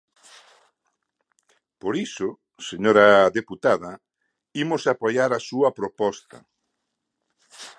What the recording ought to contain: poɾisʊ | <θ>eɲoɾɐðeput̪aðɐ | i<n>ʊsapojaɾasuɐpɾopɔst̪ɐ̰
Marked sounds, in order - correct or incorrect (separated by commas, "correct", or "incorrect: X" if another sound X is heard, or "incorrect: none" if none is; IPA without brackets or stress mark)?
incorrect: s, incorrect: m